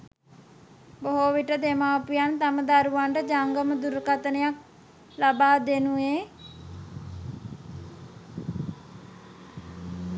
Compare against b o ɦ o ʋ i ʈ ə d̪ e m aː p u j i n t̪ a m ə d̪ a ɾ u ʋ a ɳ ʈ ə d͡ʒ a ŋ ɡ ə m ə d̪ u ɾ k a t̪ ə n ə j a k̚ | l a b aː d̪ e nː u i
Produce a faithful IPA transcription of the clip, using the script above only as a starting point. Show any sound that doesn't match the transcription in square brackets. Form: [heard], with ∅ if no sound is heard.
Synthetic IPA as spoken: b o ɦ o ʋ i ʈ ə d̪ e m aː p u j [a] n t̪ a m ə d̪ a ɾ u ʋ a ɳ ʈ ə d͡ʒ a ŋ ɡ ə m ə d̪ u ɾ k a t̪ ə n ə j a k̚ | l a b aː d̪ e [n] u [e]